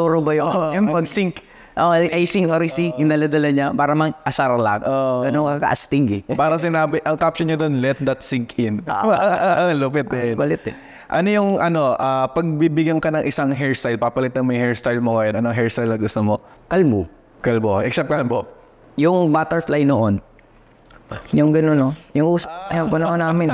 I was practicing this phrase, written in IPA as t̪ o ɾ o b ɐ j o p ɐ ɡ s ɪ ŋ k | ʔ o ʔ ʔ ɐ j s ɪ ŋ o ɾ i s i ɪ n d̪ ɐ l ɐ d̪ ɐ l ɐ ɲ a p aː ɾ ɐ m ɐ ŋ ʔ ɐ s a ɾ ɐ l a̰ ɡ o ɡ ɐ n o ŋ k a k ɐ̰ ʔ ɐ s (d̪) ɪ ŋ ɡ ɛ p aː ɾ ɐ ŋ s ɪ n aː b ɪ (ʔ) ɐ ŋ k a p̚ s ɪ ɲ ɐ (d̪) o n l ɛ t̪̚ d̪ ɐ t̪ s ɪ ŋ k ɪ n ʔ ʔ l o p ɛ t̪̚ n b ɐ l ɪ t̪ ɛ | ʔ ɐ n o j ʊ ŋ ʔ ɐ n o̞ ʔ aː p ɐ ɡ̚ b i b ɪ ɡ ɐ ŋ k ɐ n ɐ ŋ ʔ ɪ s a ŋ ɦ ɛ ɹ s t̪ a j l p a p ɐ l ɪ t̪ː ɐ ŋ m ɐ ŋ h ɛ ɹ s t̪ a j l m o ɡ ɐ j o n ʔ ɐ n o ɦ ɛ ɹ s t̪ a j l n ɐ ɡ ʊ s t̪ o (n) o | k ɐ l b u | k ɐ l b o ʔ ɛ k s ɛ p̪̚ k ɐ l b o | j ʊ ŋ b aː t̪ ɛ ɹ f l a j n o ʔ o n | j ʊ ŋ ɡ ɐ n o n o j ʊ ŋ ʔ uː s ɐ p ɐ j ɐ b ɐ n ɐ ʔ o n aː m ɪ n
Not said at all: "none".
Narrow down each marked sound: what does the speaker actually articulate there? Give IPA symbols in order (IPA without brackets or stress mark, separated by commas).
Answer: t̪, ʔ, d̪, m